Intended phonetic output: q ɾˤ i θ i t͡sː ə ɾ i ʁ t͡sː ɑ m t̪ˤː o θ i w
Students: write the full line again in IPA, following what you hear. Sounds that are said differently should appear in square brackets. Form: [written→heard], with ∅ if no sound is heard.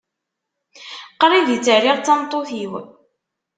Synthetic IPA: q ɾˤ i [θ→ð] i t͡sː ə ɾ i ʁ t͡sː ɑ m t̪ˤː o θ i w